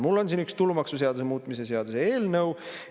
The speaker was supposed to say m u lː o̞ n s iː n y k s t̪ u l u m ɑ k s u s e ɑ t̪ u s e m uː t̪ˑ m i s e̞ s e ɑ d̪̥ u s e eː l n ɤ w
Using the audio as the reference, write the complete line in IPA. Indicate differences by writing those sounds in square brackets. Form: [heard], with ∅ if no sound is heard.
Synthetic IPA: m u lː o̞ n s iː n y k s t̪ u l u m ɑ k s u s e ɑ [d̪] u s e m uː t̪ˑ m i s e̞ s e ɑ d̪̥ u s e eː l n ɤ w